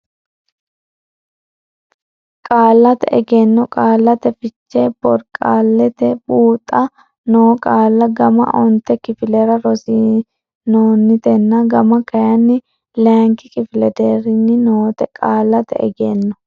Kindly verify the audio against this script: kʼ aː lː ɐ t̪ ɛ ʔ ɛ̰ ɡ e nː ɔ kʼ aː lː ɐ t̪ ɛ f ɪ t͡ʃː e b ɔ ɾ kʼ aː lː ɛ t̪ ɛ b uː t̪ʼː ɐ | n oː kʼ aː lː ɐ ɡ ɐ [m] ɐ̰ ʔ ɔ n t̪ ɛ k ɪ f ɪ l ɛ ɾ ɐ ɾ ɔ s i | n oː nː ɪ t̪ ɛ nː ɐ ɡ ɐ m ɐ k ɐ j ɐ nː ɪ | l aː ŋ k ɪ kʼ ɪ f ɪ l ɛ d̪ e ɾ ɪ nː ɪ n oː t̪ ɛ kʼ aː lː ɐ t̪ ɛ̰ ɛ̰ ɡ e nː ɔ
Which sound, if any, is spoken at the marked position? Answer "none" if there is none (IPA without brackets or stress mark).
m